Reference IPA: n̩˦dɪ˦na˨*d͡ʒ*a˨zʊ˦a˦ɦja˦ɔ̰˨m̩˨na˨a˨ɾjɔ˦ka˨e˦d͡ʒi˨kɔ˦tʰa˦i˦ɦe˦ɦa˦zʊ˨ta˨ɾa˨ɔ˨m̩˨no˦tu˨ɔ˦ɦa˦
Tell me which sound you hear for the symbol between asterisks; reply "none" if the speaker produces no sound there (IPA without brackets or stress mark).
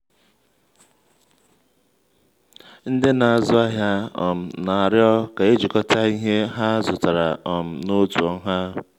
none